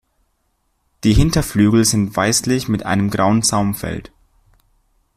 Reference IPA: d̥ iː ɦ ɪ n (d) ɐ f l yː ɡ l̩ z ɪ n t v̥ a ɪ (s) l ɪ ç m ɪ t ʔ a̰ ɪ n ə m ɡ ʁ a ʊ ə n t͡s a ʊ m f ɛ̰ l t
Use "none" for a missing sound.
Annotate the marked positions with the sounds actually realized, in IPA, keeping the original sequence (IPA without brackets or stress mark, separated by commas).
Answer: t, s